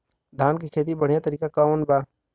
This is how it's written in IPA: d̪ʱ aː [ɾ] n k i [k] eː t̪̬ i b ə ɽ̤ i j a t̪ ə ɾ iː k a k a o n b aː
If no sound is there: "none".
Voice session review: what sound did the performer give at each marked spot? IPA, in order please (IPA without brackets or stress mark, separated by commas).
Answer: none, kʰ